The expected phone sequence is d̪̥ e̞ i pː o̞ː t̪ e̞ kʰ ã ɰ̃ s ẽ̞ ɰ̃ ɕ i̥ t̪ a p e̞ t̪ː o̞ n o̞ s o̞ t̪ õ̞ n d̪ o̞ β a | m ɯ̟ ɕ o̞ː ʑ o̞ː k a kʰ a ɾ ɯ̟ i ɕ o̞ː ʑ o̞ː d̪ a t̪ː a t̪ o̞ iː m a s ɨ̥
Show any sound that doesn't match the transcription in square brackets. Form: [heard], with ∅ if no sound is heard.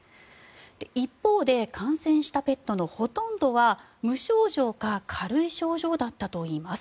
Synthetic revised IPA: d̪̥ e̞ i pː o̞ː [d̪] e̞ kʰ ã ɰ̃ s ẽ̞ ɰ̃ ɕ i̥ t̪ a p e̞ t̪ː o̞ n o̞ [h] o̞ t̪ õ̞ n d̪ o̞ β a | m ɯ̟ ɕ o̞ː ʑ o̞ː k a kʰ a ɾ ɯ̟ i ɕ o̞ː ʑ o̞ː d̪ a t̪ː a t̪ o̞ iː m a s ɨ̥

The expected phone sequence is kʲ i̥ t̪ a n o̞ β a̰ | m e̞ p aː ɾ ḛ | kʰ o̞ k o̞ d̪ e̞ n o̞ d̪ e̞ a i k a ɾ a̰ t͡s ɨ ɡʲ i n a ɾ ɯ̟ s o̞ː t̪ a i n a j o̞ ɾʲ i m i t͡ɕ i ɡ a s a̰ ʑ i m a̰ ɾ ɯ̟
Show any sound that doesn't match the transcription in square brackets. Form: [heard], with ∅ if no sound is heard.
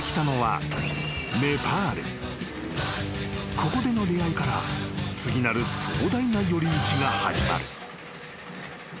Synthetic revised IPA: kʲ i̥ t̪ a n o̞ β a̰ | m e̞ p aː ɾ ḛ | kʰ o̞ k o̞ d̪ e̞ n o̞ d̪ e̞ a i k a ɾ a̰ t͡s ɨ ɡʲ i n a ɾ ɯ̟ s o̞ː [d̪] a i n a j o̞ ɾʲ i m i t͡ɕ i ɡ a [h] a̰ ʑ i m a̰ ɾ ɯ̟

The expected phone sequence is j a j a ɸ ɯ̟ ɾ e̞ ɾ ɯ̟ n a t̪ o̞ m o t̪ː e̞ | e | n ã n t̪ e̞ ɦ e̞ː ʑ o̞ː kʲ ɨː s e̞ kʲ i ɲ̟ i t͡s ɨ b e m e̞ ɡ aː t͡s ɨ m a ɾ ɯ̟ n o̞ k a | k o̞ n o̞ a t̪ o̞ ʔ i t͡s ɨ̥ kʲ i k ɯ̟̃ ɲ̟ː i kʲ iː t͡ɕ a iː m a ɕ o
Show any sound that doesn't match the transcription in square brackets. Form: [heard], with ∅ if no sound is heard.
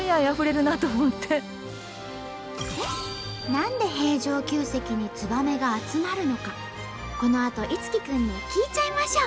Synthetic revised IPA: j a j a ɸ ɯ̟ ɾ e̞ ɾ ɯ̟ n a t̪ o̞ m o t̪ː e̞ | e | n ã n [d̪] e̞ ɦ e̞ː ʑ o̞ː kʲ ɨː s e̞ kʲ i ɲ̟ i t͡s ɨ b [a] m e̞ ɡ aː t͡s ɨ m a ɾ ɯ̟ n o̞ k a | k o̞ n o̞ a t̪ o̞ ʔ i t͡s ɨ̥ kʲ i k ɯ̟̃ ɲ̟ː i kʲ iː t͡ɕ a [i] m a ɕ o

